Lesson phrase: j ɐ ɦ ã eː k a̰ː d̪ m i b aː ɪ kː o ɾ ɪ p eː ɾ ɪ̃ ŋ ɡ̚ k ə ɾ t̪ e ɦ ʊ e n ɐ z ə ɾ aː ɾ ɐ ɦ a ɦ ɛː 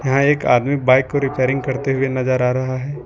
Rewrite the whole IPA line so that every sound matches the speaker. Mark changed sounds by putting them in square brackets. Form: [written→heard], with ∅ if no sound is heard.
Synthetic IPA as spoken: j ɐ ɦ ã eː k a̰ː d̪ m i b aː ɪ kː o ɾ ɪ p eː ɾ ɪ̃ ŋ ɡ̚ k [ə→ɐ] ɾ t̪ e ɦ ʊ e n ɐ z ə ɾ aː ɾ ɐ ɦ a ɦ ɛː